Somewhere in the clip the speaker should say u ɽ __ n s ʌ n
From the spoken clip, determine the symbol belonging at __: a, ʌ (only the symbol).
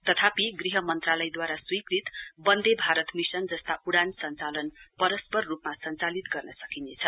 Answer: a